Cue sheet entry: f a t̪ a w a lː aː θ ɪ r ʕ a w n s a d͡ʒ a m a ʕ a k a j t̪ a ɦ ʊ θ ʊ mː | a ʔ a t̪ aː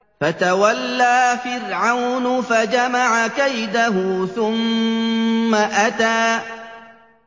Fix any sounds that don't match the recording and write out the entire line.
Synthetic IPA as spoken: f a t̪ a w a lː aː f ɪ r ʕ a w n f a d͡ʒ a m a ʕ a k a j d̪ a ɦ ʊ θ ʊ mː | a ʔ a t̪ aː